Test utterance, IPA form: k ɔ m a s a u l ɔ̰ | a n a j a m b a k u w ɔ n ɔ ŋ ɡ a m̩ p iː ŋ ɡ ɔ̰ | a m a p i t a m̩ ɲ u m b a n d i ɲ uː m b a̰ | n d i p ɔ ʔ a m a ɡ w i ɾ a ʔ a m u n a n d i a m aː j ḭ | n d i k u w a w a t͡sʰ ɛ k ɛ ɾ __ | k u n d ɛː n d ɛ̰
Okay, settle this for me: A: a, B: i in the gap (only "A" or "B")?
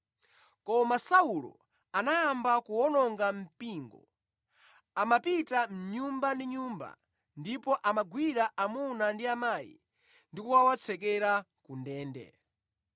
A